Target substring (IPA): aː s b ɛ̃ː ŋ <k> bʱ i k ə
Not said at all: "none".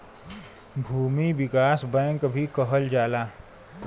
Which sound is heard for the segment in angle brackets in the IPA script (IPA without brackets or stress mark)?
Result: k